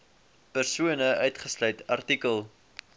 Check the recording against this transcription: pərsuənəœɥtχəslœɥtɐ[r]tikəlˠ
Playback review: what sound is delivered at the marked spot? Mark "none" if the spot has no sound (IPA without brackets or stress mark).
r